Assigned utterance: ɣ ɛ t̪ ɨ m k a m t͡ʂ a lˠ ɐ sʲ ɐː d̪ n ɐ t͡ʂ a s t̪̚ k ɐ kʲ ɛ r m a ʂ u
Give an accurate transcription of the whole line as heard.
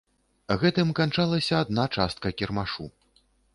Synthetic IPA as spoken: ɣ ɛ t̪ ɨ m k a n t͡ʂ a lˠ ɐ sʲ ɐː d̪ n a t͡ʂ a s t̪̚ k ɐ kʲ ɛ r m a ʂ u